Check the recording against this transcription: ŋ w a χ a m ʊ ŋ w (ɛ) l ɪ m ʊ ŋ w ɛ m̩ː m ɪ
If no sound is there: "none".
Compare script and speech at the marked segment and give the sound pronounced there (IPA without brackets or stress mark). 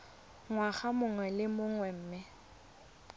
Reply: ɛ